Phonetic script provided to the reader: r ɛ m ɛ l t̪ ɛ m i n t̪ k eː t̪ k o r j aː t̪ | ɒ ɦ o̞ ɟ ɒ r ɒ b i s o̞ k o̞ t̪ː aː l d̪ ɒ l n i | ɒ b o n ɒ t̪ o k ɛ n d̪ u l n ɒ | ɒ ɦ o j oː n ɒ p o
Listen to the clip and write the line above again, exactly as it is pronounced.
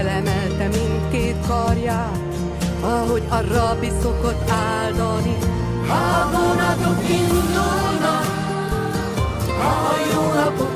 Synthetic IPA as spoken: l ɛ m ɛ l t̪ ɛ m i n t̪ k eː t̪ k ɒ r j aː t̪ | ɒ ɦ o̞ ɟ ɒ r ɒ b i s o̞ k o̞ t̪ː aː l d̪ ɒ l n i | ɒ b o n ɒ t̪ o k i n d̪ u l n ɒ | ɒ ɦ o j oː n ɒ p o